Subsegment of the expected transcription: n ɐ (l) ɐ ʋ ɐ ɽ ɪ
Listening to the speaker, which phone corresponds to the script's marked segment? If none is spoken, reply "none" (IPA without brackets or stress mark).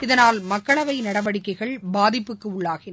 ɽ